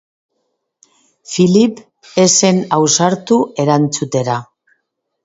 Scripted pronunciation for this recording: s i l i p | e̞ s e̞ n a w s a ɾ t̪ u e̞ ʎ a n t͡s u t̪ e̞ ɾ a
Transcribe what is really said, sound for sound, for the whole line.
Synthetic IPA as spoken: f i l i p | e̞ s e̞ n a w s a ɾ t̪ u e̞ ɾ a n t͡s u t̪ e̞ ɾ a